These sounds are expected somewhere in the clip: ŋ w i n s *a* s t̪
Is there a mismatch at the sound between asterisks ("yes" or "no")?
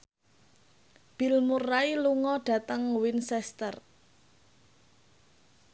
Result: yes